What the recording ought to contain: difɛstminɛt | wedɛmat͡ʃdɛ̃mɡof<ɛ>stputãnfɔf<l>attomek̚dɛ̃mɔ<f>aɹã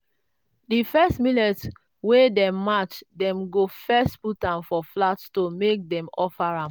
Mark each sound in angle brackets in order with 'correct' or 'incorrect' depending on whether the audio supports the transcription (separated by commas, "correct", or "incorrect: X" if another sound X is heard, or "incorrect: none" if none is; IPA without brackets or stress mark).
correct, correct, correct